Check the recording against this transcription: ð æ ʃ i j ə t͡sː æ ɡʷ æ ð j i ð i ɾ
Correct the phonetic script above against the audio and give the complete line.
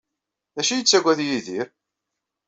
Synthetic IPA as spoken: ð æ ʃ i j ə t͡sː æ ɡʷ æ ð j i ð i ɾ